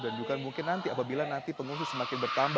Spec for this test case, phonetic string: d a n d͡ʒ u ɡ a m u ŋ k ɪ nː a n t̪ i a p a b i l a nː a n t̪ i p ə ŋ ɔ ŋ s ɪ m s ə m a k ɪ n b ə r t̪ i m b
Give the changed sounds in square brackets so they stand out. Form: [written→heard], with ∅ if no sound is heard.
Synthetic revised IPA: d a n d͡ʒ u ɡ a m u ŋ k ɪ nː a n t̪ i a p a b i l a [nː→n] a n t̪ i p ə ŋ [ɔ→u] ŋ s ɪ [m→∅] s ə m a k ɪ n b ə r t̪ [i→a] m b